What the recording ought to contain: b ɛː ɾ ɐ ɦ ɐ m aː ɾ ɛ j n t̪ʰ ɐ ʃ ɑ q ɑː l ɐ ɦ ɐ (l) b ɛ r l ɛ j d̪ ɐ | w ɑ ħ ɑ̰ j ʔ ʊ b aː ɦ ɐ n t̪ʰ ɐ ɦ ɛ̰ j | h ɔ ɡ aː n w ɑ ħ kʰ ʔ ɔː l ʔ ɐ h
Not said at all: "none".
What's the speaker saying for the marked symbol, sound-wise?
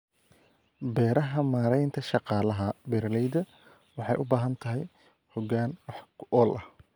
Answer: none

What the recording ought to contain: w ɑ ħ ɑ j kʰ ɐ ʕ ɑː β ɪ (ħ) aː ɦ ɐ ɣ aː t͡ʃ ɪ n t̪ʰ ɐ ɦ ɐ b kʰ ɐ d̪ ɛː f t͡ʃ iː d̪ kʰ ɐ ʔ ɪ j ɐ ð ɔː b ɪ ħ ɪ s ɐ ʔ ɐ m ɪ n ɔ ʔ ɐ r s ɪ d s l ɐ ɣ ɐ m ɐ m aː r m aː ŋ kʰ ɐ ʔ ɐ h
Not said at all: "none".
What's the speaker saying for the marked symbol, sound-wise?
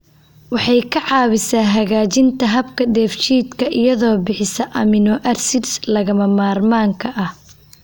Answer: s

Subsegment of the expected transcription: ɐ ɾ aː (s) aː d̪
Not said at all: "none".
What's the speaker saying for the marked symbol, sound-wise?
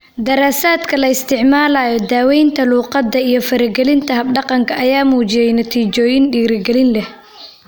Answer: s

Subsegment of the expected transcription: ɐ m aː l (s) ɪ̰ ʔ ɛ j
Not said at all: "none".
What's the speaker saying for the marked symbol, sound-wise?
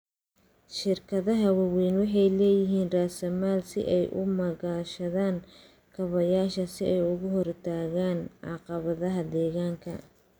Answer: s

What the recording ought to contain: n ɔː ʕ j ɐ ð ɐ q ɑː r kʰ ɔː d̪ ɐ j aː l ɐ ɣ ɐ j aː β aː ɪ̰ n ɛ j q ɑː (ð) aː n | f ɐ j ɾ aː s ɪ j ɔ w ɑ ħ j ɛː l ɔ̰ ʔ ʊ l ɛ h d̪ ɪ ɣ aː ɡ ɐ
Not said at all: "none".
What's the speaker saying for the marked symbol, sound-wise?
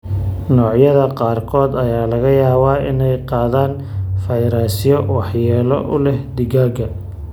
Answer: ð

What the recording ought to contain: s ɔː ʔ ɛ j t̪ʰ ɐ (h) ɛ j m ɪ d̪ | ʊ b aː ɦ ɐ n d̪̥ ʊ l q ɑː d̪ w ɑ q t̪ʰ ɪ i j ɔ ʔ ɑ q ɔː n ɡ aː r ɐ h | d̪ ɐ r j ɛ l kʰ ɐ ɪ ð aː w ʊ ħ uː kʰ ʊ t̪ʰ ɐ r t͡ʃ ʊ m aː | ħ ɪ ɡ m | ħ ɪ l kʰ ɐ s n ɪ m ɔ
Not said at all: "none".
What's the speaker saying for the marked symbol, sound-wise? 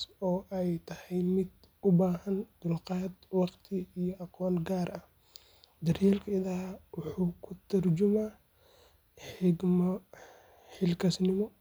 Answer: h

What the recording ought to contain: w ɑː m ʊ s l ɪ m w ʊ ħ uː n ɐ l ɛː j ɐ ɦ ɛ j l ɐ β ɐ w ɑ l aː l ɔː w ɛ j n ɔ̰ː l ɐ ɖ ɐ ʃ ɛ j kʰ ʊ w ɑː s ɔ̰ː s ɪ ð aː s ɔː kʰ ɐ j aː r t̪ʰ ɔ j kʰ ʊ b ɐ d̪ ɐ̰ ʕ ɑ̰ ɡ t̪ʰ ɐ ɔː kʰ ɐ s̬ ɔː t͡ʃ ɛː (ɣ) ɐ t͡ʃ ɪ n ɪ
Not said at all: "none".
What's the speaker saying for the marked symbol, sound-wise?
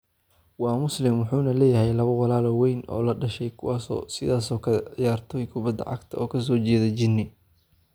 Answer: ð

